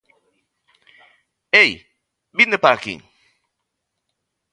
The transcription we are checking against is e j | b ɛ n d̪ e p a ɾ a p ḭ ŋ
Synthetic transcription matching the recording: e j | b i n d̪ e p a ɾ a k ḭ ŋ